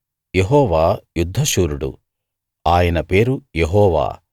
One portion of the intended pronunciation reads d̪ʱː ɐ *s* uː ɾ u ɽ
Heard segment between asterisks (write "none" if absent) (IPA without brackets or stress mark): ʃ